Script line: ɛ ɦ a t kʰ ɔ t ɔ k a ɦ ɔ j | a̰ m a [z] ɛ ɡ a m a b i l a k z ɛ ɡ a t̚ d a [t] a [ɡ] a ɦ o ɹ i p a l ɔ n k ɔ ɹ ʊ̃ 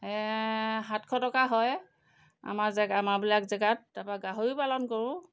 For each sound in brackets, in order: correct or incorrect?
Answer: correct, incorrect, correct

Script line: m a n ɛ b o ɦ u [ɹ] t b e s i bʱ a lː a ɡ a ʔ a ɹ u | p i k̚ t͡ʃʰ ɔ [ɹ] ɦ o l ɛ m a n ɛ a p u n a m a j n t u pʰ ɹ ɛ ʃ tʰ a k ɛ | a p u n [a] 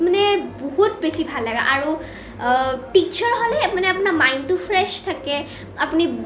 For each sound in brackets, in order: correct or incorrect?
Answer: incorrect, correct, incorrect

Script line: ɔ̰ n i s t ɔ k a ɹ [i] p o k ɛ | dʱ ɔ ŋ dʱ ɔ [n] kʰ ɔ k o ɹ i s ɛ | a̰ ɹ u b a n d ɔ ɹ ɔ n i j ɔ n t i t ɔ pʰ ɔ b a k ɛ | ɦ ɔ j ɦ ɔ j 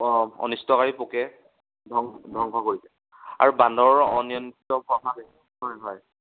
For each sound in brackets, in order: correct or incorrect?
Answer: correct, incorrect

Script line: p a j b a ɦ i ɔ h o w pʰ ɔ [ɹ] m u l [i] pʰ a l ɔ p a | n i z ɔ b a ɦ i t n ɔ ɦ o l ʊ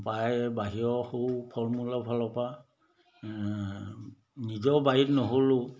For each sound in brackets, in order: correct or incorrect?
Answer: correct, incorrect

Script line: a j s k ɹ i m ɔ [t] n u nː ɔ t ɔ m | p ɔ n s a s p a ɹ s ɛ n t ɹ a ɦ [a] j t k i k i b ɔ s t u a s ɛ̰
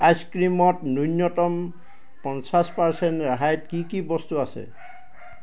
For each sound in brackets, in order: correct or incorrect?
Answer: correct, correct

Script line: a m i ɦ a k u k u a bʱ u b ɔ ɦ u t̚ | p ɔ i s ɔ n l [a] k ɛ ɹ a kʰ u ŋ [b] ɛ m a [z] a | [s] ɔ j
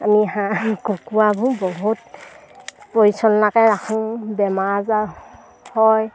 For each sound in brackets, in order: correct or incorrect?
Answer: correct, correct, correct, incorrect

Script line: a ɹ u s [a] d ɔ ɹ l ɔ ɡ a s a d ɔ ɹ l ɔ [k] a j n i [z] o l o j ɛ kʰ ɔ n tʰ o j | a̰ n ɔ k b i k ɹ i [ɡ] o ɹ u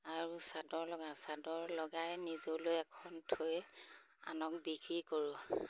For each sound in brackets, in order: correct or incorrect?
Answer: correct, incorrect, correct, incorrect

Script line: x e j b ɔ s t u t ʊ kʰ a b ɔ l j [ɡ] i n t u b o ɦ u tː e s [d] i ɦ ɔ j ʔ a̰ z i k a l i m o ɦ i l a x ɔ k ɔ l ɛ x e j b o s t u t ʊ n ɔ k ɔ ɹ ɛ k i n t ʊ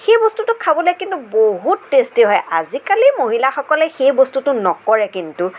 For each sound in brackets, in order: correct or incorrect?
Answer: incorrect, incorrect

